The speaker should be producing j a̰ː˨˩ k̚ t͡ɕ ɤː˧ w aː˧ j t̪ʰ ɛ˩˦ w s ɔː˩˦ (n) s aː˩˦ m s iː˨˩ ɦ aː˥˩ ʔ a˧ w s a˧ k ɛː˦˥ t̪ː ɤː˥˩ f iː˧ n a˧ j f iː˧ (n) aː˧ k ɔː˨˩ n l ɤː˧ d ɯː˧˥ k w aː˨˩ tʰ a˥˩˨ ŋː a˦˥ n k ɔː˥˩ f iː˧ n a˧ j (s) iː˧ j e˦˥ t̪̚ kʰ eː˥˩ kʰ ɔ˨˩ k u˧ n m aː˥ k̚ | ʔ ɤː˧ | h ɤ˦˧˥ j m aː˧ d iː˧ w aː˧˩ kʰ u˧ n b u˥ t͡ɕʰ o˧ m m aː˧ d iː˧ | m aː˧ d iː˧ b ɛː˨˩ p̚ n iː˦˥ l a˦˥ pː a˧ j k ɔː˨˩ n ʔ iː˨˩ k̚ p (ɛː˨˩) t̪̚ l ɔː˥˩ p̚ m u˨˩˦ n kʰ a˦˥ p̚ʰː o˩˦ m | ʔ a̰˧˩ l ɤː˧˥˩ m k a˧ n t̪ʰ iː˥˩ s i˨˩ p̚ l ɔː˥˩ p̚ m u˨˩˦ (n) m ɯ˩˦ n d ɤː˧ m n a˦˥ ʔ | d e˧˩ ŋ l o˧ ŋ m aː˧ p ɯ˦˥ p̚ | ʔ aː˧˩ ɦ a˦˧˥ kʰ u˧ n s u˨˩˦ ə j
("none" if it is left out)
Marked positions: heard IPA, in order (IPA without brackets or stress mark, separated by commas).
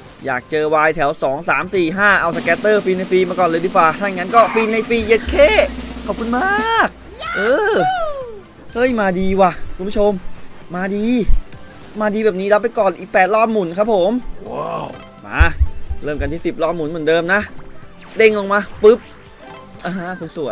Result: ŋ, m, f, ɛː˨˩, n